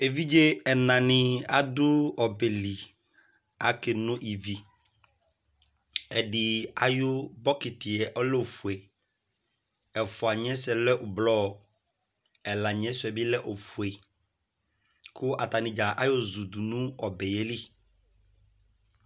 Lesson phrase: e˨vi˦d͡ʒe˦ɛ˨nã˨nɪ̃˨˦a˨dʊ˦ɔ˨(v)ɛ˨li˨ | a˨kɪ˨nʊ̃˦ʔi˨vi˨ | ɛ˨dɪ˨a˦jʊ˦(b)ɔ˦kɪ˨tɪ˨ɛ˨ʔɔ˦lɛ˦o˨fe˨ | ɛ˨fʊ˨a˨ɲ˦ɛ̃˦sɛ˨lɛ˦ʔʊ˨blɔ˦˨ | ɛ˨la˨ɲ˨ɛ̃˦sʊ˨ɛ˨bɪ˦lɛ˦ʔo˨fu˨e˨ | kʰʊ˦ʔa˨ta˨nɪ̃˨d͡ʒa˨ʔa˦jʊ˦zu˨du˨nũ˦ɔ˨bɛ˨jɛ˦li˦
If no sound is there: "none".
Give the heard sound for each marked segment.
b, b

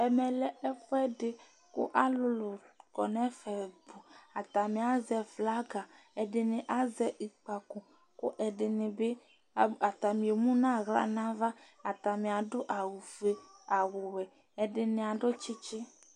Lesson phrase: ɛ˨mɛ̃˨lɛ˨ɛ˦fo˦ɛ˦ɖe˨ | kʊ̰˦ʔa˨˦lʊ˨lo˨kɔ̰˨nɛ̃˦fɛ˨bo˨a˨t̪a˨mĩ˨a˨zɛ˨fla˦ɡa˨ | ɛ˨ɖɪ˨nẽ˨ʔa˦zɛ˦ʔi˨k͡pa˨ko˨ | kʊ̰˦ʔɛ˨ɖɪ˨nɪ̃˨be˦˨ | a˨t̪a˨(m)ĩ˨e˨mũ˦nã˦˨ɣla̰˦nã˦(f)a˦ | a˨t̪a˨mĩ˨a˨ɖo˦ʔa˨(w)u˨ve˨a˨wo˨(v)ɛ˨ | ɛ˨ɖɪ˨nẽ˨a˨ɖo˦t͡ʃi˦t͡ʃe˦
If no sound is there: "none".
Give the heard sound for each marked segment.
m, v, w, w

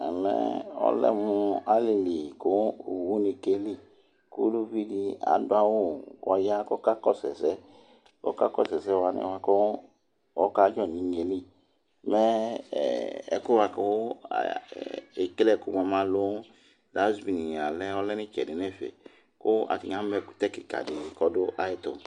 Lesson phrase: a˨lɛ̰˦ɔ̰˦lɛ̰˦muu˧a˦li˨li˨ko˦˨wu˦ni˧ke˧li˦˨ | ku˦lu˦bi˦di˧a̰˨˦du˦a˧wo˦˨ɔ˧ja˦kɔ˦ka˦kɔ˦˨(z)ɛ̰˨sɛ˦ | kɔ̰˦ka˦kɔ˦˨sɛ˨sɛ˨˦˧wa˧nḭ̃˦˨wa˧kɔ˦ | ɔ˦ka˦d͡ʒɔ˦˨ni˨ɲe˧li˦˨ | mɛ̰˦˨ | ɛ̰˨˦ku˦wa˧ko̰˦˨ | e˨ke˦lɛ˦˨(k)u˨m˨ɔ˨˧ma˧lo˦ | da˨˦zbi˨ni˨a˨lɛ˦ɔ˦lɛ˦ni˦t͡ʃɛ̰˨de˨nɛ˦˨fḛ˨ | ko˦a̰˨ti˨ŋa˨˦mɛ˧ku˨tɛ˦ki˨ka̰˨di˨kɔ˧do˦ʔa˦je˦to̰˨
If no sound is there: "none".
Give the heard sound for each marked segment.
s, k

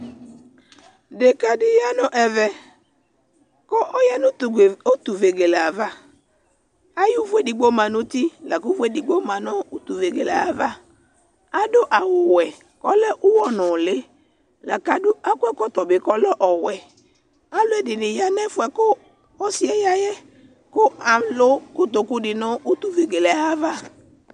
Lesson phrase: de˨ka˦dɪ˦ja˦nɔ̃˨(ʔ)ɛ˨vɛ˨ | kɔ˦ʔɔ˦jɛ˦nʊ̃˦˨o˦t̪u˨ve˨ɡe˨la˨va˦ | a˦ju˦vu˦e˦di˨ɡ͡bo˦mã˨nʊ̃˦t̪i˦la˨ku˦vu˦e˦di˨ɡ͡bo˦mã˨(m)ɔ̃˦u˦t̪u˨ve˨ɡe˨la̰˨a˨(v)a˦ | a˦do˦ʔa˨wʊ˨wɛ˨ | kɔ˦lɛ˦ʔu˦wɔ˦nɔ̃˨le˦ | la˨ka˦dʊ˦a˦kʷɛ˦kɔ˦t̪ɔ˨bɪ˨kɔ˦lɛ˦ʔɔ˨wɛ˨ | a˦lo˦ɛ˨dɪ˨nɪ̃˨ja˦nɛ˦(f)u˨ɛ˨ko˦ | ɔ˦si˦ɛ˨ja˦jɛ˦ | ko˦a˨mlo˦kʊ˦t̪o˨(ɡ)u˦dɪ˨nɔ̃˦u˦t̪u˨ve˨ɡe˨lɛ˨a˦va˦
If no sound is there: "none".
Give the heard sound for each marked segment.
ʔ, n, v, f, k

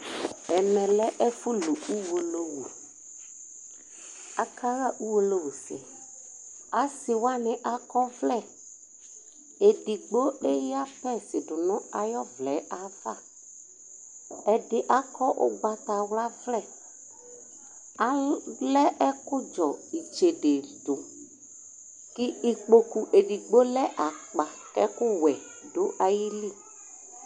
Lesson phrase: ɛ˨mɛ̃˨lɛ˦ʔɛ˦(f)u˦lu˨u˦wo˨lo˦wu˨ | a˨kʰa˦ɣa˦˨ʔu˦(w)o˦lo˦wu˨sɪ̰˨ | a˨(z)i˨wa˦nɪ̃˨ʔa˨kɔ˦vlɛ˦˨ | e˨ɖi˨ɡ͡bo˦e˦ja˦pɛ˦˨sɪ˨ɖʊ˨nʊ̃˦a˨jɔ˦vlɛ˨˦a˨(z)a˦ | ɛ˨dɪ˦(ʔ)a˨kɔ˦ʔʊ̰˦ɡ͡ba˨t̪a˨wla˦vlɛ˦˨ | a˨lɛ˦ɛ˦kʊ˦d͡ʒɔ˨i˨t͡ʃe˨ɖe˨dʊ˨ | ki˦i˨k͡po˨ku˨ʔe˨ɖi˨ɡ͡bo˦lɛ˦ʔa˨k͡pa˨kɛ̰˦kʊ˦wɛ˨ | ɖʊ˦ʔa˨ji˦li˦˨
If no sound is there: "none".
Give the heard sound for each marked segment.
f, w, s, v, ʔ

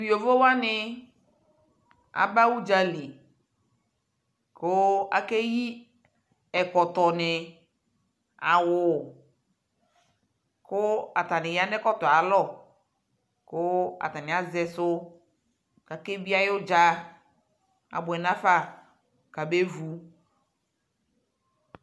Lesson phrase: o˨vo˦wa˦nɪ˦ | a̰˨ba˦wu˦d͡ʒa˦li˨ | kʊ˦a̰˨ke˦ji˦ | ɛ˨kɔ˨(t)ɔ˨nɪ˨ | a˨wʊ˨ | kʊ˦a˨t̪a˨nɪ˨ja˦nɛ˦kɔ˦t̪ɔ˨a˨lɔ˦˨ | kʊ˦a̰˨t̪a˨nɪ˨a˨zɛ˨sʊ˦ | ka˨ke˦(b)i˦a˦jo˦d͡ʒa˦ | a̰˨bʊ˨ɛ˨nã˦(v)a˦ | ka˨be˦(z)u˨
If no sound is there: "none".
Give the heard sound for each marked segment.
t, b, f, v

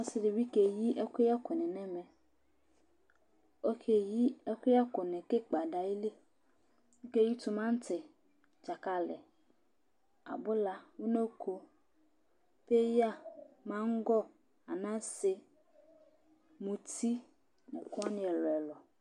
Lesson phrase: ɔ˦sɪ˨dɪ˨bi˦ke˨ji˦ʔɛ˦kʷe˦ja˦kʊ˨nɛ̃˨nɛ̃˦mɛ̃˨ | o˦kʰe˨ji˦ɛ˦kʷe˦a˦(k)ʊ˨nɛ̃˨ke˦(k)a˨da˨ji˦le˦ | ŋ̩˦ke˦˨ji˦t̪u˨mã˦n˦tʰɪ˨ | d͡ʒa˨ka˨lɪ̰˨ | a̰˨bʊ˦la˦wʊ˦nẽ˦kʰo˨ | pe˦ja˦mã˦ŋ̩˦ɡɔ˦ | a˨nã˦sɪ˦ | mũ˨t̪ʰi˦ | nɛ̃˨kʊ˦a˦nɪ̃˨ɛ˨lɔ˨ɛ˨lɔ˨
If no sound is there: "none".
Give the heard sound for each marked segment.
k, k͡p

